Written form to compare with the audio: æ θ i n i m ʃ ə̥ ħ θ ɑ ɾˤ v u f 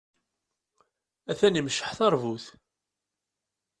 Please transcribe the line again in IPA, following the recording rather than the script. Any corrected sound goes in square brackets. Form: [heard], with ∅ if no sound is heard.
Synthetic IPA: æ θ [æ] n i m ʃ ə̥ ħ θ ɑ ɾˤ v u [θ]